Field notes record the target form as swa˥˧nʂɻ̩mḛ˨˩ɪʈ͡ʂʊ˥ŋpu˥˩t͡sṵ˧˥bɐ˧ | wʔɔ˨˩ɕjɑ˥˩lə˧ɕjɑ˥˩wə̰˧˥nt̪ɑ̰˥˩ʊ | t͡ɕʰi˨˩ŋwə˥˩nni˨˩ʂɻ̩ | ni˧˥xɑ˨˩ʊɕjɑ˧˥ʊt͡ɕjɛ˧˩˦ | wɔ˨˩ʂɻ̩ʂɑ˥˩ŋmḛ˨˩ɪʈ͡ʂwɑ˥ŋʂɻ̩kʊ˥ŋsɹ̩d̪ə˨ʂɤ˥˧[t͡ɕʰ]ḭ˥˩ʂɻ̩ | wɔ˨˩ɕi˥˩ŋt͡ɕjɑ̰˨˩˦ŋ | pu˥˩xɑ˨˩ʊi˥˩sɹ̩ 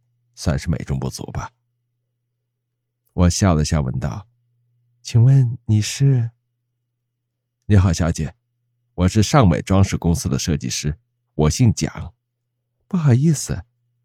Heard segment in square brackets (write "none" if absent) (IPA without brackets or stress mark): t͡ɕ